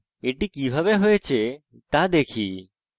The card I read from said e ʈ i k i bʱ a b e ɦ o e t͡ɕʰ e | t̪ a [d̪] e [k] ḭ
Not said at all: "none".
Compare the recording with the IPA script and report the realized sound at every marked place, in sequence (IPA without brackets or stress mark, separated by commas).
d̪, kʰ